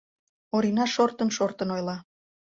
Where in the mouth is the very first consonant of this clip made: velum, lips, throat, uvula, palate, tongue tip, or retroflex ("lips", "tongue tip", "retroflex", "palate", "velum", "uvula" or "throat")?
tongue tip